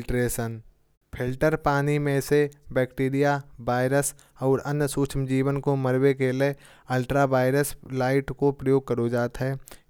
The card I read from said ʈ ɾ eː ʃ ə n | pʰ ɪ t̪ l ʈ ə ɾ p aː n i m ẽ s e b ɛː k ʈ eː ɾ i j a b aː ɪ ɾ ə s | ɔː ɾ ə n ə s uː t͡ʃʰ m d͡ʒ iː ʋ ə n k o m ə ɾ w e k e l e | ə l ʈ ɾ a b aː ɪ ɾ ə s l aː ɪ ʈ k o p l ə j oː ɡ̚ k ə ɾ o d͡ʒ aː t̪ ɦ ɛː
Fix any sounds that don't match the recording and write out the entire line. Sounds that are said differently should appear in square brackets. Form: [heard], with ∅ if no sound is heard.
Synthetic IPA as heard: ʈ ɾ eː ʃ ə n | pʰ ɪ [∅] l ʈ ə ɾ p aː n i m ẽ s e b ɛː k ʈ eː ɾ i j a b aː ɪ ɾ ə s | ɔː ɾ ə n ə s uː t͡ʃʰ m d͡ʒ iː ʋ ə n k o m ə ɾ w e k e l e | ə l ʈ ɾ a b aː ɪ ɾ ə s l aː ɪ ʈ k o p [ɾ] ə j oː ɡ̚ k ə ɾ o d͡ʒ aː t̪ ɦ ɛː